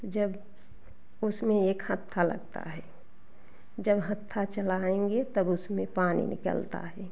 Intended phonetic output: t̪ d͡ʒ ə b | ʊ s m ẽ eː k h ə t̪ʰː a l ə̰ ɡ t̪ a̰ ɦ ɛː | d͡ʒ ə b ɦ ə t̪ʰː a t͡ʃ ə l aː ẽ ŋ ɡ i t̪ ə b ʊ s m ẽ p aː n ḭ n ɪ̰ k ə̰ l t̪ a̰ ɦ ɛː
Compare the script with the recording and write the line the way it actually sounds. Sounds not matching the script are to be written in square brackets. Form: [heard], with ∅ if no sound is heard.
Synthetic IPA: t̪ d͡ʒ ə b | ʊ s m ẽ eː k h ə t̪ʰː a l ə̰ ɡ t̪ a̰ ɦ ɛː | d͡ʒ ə b ɦ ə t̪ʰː a t͡ʃ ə l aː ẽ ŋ ɡ [e] t̪ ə b ʊ s m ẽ p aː n ḭ n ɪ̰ k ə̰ l t̪ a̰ ɦ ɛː